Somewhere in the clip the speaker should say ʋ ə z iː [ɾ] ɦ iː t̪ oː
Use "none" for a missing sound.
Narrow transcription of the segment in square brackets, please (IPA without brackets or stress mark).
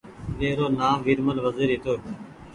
ɾ